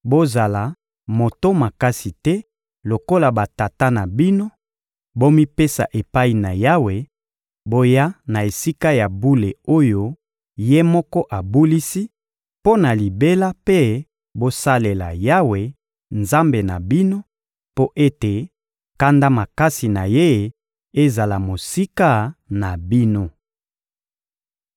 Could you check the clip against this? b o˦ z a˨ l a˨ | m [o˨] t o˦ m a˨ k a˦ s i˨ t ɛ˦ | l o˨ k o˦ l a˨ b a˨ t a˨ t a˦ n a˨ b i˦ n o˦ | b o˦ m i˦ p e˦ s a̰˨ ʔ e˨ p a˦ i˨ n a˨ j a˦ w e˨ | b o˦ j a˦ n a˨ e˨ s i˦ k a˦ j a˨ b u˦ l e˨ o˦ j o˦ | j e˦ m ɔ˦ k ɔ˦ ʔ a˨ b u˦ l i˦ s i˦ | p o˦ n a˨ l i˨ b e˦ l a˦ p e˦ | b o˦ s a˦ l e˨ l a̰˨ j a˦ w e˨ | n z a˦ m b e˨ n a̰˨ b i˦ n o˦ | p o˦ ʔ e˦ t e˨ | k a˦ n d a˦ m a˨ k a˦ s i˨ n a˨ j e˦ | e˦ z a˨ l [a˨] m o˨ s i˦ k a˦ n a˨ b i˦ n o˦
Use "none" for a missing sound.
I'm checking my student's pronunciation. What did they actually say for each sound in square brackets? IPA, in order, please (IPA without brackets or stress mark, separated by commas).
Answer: o˨, a˨